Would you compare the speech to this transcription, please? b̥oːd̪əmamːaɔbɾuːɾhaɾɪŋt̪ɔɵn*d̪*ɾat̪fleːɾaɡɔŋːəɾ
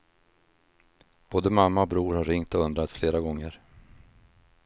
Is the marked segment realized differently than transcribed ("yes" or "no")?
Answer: no